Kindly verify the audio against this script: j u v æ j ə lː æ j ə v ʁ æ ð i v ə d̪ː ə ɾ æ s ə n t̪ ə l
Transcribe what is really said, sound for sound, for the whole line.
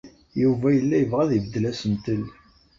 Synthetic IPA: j u v æ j ə lː æ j ə v ʁ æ ð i v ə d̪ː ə l æ s ə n t̪ ə l